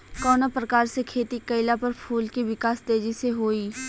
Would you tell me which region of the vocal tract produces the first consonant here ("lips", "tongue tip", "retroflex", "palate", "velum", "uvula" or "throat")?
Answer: velum